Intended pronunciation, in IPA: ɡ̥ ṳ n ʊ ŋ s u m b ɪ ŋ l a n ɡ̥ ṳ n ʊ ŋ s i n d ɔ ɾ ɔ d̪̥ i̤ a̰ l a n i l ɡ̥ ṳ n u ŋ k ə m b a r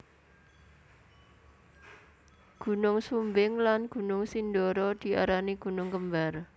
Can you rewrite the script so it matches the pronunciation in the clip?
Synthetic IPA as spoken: ɡ̥ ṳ n ʊ ŋ s u m b ɪ ŋ l a n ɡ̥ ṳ n ʊ ŋ s i n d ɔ ɾ ɔ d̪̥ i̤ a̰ ɾ a n i ɡ̥ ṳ n ʊ ŋ k ə m b a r